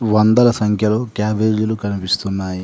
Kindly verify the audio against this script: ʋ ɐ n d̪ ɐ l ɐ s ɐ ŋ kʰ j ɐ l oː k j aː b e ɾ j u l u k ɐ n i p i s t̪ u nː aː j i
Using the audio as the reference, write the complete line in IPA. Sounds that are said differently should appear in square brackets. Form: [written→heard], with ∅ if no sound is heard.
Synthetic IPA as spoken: ʋ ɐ n d̪ ɐ l ɐ s ɐ ŋ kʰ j ɐ l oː k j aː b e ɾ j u l u k ɐ n i p i s t̪ u nː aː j i